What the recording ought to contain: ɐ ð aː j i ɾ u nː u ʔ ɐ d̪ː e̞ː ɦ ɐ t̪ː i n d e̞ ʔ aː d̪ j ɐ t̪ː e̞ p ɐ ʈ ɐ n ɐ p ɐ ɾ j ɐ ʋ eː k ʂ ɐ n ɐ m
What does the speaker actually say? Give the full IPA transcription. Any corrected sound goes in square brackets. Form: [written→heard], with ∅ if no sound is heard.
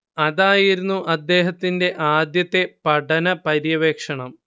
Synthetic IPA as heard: ɐ ð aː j i ɾ u nː u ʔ ɐ d̪ː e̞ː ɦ ɐ t̪ː i n d e̞ ʔ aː d̪ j ɐ t̪ː e̞ p ɐ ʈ ɐ n ɐ p ɐ ɾ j ɐ ʋ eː k ʂ ɐ [n→ɳ] ɐ m